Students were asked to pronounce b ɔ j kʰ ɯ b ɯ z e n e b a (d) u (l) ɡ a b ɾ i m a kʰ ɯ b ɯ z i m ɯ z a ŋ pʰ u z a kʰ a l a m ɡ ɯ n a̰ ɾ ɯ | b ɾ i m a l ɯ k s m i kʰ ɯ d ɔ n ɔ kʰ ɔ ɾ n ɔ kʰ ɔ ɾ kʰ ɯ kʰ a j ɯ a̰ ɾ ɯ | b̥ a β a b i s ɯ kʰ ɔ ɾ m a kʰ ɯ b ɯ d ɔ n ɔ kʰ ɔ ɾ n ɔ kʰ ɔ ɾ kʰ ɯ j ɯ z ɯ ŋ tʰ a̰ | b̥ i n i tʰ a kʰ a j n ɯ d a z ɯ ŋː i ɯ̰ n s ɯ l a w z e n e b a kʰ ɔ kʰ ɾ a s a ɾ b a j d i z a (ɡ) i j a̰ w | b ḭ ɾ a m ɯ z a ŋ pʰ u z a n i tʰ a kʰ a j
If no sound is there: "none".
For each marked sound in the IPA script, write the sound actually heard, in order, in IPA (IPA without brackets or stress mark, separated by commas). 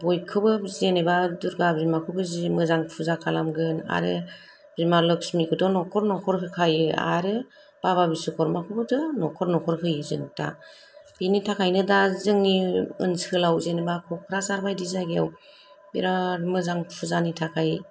d, ɾ, ɡ